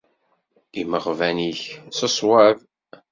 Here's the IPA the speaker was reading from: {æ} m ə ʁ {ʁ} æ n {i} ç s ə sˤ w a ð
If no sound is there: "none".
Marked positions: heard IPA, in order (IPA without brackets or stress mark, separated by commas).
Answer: i, v, i